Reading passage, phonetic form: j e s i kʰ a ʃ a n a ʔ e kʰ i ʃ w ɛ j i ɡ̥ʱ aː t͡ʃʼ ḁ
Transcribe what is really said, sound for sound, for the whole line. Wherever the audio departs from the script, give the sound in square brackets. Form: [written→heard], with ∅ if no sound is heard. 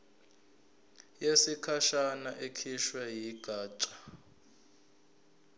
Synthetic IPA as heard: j e s i kʰ a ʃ a n a ʔ e kʰ i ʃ w ɛ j i ɡ̥ʱ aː t͡ʃʼ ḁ